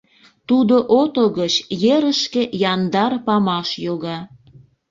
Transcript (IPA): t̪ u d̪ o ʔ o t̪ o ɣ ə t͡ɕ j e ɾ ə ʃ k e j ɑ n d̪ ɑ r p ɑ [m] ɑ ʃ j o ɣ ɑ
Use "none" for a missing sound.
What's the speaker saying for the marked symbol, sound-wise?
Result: m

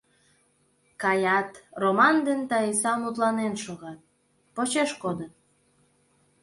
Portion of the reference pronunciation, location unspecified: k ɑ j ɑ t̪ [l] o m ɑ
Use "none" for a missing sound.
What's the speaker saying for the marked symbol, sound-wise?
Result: r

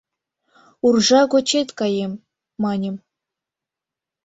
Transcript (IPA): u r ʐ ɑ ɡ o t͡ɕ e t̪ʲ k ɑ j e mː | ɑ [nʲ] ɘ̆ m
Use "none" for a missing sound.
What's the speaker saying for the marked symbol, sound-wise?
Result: nʲ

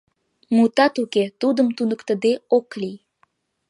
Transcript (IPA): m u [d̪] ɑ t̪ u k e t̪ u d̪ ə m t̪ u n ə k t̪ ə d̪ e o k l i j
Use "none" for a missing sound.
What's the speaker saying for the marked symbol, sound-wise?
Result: t̪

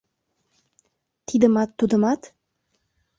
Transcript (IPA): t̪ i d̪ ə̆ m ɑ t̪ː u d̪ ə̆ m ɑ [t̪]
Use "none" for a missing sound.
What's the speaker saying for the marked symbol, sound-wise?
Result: t̪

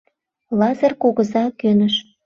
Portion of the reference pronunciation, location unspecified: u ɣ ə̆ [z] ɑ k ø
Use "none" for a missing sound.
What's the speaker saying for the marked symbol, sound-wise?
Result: z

